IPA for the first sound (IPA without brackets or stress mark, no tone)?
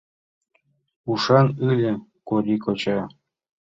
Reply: u